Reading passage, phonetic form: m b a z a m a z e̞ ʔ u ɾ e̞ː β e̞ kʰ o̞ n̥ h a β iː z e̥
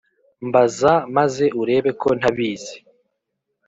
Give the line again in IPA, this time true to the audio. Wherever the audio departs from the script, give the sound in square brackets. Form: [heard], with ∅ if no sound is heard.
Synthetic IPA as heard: m b a z a m a z e̞ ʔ u ɾ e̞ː β e̞ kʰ o̞ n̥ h a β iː z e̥